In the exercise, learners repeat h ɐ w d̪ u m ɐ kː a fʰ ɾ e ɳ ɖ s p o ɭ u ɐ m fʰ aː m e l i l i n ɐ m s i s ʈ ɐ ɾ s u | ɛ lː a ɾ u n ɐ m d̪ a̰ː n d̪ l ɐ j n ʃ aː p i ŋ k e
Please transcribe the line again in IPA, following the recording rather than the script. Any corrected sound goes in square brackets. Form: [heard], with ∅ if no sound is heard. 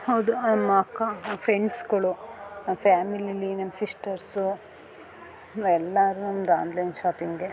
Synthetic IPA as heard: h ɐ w d̪ u m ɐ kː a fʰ ɾ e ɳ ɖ s [k] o ɭ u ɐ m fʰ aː m [i] l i l i n ɐ m s i s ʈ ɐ ɾ s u | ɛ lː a ɾ u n ɐ m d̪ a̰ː n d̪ l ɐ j n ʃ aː p i ŋ [ɡ] e